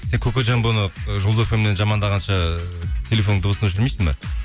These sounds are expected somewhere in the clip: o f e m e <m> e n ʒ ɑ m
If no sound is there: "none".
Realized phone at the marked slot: n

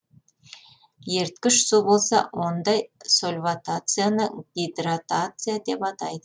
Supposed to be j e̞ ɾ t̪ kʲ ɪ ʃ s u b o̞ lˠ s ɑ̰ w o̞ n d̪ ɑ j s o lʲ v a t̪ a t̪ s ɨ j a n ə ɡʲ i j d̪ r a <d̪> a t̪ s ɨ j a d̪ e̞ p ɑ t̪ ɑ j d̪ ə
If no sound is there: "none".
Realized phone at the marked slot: t̪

